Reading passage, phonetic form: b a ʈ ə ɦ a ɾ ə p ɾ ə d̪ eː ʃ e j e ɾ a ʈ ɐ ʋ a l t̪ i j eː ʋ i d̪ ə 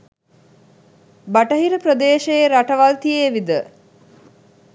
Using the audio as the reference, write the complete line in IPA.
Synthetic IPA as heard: b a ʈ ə ɦ i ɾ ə p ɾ ə d̪ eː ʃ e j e ɾ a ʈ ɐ ʋ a l t̪ i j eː ʋ i d̪ ə